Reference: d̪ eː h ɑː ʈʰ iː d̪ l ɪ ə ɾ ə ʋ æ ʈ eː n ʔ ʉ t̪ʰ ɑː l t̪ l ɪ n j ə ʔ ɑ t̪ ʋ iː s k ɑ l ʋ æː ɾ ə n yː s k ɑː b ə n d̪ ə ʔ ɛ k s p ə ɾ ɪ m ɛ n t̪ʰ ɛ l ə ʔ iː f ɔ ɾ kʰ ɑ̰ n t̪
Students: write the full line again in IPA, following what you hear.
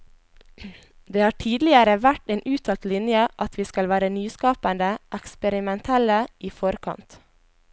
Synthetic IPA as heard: d̪ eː h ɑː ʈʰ iː d̪ l ɪ ə ɾ ə ʋ æ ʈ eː n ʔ ʉː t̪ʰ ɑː l t̪ l ɪ n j ə ʔ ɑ t̪ ʋ iː s k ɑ l ʋ æː ɾ ə n yː s k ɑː p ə n d̪ ə ʔ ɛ k s p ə ɾ ɪ m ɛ n t̪ʰ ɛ l ə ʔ iː f ɔ ɾ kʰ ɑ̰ n t̪